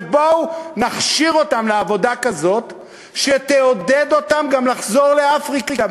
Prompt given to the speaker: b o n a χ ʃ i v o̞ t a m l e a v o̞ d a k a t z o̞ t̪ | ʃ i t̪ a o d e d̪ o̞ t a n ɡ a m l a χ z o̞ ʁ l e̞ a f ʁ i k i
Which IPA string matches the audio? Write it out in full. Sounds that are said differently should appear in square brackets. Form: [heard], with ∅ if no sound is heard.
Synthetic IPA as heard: b o n a χ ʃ i [ʁ] o̞ t a m l e a v o̞ d a k a [∅] z o̞ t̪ | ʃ [e] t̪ [e] o d e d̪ o̞ t a [m] ɡ a m l a χ z o̞ ʁ l e̞ a f ʁ i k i